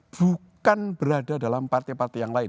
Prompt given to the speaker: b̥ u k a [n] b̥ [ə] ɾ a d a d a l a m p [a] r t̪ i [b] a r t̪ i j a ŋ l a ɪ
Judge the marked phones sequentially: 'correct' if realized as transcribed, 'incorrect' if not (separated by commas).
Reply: correct, correct, correct, incorrect